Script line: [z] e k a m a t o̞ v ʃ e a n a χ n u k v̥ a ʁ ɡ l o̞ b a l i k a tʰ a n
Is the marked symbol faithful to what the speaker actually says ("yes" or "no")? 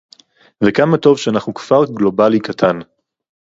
no